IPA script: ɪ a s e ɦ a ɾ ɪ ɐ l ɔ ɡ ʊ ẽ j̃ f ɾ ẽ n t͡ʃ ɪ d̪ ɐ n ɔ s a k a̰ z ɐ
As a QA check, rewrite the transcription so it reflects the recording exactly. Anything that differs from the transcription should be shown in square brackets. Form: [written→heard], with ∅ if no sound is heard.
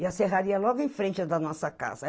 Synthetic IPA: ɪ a s e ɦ a ɾ [ɪ→i] ɐ l ɔ ɡ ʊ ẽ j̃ f ɾ ẽ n t͡ʃ ɪ d̪ ɐ n ɔ s [a→ɐ] k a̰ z ɐ